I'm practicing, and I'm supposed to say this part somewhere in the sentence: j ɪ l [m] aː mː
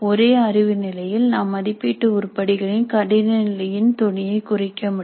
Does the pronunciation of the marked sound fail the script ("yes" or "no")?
yes